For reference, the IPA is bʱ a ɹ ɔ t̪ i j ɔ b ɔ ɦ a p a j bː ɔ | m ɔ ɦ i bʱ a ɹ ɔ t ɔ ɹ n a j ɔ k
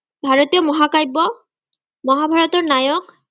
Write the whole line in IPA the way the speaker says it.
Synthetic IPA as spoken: bʱ a ɹ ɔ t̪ i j ɔ m ɔ ɦ a k a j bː ɔ | m ɔ ɦ a bʱ a ɹ ɔ t ɔ ɹ n a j ɔ k